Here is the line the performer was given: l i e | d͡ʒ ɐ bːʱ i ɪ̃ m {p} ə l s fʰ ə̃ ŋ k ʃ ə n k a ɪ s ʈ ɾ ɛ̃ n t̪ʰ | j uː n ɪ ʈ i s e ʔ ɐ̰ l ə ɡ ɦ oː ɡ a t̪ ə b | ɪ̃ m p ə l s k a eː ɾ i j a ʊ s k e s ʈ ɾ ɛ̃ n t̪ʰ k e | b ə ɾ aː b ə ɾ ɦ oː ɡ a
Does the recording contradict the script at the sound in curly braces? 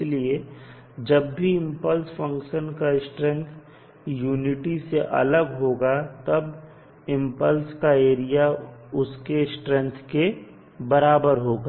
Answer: no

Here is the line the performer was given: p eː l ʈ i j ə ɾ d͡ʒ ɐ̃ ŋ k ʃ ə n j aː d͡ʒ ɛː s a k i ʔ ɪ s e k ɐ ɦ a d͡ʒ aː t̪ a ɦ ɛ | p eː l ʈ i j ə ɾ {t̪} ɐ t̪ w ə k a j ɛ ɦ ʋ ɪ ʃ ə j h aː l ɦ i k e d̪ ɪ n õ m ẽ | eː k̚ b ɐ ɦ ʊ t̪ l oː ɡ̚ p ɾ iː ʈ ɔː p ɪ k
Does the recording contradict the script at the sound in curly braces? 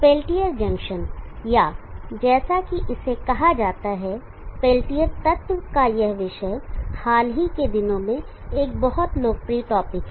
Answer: no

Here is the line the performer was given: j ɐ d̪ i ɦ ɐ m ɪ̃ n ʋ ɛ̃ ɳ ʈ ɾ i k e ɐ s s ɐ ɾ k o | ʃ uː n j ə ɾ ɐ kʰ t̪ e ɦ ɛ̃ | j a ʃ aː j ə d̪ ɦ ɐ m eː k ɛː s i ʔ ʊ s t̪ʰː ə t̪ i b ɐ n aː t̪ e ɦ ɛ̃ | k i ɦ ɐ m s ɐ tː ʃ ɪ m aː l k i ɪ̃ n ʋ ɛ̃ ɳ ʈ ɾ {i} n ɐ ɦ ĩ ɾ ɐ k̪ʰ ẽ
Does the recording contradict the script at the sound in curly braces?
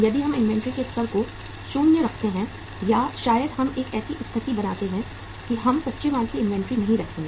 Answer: no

